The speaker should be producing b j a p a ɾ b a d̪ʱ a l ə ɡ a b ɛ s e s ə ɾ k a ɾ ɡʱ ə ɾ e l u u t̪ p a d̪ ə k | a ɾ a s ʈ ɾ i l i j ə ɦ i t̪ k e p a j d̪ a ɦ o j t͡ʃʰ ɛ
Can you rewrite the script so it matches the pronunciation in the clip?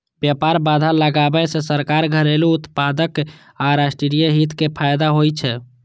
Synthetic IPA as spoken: b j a p a ɾ b a d̪ʱ a l ə ɡ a b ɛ s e s ə ɾ k a ɾ ɡʱ ə ɾ e l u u t̪ p a d̪ ə k | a ɾ a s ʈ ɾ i ɾ i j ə ɦ i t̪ k e pʰ a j d̪ a ɦ o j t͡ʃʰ ɛ